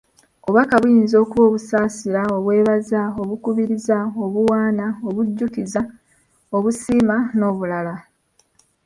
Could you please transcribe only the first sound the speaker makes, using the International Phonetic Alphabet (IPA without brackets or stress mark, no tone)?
o